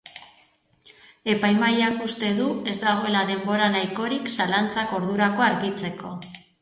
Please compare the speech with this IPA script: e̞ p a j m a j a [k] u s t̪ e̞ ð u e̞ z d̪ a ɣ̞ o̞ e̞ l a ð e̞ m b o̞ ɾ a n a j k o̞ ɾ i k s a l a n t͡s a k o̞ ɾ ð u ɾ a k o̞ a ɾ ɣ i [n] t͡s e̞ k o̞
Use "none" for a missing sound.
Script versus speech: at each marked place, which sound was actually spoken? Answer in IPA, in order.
k, none

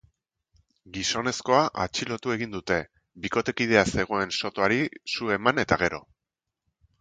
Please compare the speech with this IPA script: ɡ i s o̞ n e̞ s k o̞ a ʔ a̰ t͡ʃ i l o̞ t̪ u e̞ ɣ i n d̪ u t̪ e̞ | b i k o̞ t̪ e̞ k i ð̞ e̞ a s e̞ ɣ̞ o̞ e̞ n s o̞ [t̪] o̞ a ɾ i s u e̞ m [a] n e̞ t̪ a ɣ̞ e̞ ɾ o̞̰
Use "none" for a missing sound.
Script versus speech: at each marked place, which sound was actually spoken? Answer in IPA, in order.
t̪, a

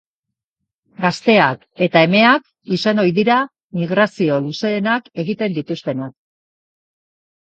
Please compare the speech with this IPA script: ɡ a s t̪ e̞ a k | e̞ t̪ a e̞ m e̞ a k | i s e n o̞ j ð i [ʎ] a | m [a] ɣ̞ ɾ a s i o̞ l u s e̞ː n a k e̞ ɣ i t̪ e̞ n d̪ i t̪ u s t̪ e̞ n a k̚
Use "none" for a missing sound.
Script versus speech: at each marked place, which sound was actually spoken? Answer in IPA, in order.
ɾ, i

